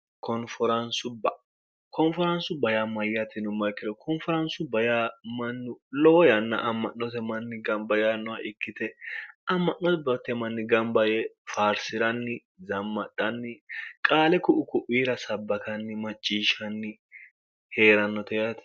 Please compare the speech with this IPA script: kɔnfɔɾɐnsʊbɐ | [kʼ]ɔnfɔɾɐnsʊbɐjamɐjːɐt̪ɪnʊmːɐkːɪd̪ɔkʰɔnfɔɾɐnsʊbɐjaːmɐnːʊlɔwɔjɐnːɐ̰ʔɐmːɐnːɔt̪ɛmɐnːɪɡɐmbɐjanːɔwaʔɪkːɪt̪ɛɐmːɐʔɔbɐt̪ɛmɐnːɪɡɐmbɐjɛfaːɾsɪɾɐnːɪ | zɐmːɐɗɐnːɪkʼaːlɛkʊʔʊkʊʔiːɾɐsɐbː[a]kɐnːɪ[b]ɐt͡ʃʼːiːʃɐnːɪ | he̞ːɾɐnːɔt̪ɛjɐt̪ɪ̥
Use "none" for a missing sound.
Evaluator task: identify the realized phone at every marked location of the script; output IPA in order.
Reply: k, ɐ, m

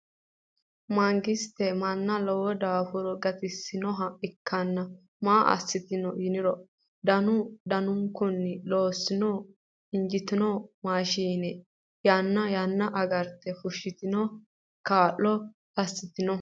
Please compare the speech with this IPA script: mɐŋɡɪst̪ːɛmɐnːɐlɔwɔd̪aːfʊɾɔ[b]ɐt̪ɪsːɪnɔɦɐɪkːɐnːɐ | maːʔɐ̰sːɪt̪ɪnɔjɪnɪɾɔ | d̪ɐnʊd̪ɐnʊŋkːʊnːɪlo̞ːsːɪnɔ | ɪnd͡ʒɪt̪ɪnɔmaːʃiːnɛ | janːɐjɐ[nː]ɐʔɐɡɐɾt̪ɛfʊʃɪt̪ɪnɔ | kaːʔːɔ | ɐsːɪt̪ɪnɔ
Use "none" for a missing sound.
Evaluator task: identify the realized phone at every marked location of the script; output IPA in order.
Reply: ɡ, nː

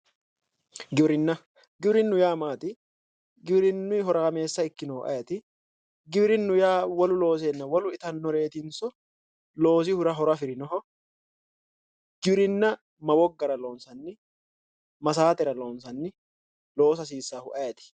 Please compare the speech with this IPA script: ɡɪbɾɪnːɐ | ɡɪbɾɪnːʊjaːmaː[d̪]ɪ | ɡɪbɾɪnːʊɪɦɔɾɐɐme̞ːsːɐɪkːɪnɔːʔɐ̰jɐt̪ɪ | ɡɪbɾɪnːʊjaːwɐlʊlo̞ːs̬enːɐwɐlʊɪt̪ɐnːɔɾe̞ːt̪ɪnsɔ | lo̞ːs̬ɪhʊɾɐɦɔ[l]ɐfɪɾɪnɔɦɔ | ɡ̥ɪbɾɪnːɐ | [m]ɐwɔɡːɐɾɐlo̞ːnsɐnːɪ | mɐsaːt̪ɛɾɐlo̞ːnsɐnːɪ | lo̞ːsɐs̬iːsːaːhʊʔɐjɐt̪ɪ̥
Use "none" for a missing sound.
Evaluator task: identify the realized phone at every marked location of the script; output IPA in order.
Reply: t̪, ɾ, m

